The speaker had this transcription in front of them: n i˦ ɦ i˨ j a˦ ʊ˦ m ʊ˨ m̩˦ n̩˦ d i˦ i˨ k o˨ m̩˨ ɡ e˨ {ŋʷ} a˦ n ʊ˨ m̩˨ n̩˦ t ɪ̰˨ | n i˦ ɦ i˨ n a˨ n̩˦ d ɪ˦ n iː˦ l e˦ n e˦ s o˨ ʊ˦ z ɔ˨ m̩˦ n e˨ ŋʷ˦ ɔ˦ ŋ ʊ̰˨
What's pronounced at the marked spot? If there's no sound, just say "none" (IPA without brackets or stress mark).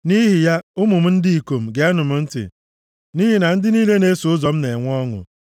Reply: none